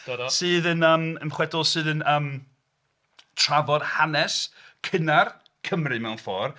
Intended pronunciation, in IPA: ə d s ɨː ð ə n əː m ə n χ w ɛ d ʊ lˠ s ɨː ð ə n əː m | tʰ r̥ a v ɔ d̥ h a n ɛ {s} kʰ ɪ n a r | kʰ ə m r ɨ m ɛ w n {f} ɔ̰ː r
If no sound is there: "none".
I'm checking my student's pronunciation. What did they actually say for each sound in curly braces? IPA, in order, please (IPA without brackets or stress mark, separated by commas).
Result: s, f